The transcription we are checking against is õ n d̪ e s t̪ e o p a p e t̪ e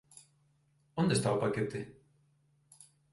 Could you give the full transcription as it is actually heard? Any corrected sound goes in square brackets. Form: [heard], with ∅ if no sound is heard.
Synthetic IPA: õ n d̪ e s t̪ [a] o p a [k] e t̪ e